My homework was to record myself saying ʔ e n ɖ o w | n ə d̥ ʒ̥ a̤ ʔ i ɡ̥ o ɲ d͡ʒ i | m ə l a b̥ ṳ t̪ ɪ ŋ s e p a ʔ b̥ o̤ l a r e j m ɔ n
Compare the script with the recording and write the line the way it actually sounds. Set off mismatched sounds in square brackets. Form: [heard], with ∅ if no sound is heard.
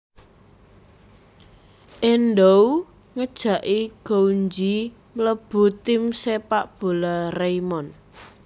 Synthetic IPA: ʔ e n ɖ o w | [ŋ] ə d̥ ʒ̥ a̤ ʔ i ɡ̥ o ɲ d͡ʒ i | m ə l [ə] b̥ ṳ t̪ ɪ [m] s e p a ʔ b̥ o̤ l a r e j m ɔ n